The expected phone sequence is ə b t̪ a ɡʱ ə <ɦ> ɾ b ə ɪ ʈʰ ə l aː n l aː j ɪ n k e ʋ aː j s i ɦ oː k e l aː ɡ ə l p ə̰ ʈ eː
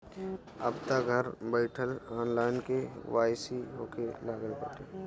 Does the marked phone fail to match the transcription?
yes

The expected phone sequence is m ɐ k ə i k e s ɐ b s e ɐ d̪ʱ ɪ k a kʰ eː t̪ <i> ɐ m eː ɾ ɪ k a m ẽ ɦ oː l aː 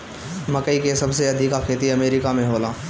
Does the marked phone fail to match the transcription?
no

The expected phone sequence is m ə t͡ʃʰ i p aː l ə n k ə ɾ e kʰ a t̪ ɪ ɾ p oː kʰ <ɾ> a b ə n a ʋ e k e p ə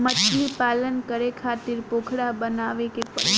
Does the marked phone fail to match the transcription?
yes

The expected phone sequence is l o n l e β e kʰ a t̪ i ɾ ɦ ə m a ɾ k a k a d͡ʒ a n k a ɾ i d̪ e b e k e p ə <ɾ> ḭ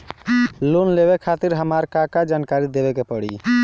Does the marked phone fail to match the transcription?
yes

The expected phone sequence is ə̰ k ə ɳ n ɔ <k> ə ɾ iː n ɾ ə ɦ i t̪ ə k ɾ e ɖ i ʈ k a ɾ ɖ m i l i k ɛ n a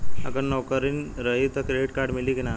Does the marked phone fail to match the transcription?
no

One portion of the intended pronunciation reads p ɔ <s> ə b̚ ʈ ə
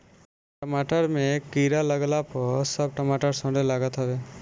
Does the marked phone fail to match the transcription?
no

